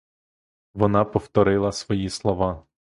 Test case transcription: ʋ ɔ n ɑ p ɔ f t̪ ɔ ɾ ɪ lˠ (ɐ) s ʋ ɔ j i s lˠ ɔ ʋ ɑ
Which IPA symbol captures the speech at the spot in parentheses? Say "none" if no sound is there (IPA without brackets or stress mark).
ɐ